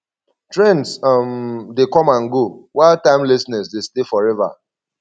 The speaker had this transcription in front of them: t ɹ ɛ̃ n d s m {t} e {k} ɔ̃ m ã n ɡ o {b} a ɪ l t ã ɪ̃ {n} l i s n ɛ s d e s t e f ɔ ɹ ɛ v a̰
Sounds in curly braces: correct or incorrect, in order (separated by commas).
incorrect, correct, incorrect, incorrect